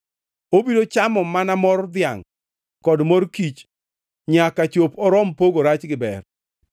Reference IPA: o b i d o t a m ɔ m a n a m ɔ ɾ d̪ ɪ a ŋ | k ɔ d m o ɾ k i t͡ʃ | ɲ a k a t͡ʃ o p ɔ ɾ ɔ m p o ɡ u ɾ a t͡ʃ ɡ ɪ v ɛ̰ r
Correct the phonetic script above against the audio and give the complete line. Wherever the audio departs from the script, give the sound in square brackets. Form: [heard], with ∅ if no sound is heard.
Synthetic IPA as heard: o b i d o [t͡ʃ] a m ɔ m a n a m ɔ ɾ d̪ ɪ a ŋ | k ɔ d m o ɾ k i t͡ʃ | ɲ a k a t͡ʃ o p ɔ ɾ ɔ m p o ɡ [o] ɾ a t͡ʃ ɡ ɪ [b] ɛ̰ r